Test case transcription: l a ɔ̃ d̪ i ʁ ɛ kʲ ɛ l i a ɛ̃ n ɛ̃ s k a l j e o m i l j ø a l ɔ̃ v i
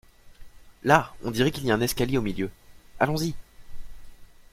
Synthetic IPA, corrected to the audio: l a ɔ̃ d̪ i ʁ ɛ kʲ i l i a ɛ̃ n ɛ s k a l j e o m i l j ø a l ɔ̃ z i